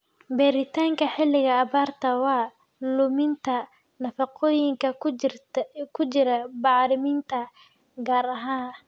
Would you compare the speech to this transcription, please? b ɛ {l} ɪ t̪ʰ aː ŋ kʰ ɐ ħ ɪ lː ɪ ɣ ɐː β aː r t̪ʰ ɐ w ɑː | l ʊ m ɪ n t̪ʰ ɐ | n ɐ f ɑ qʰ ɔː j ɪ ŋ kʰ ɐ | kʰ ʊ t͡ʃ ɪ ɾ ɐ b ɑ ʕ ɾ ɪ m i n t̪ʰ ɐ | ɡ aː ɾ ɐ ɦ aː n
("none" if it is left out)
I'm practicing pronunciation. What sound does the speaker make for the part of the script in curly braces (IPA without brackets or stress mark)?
ɾ